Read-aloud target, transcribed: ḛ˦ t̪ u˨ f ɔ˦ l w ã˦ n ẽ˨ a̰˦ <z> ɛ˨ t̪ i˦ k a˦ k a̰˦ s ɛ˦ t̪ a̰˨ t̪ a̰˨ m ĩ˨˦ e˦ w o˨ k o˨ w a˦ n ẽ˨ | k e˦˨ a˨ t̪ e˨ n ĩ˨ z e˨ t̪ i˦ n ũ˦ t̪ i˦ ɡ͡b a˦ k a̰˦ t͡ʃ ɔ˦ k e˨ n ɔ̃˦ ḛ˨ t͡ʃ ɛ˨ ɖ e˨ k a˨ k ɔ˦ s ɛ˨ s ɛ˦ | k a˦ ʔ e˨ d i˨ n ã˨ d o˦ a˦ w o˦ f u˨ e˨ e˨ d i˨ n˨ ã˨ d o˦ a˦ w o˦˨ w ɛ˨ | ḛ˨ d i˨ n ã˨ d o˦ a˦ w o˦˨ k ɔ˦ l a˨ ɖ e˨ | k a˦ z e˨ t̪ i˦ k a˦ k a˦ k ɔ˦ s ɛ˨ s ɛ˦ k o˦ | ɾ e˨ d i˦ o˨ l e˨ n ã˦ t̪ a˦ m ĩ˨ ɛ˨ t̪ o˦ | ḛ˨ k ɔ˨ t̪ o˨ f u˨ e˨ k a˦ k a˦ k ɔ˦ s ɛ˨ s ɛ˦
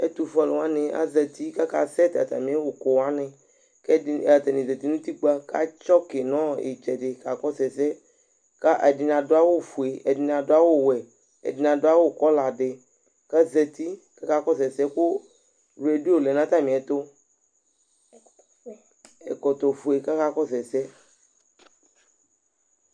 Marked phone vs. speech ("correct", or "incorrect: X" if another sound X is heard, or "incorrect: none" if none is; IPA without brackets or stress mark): correct